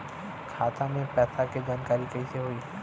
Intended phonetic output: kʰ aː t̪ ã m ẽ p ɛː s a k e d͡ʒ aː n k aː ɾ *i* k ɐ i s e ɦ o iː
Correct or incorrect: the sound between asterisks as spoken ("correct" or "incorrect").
correct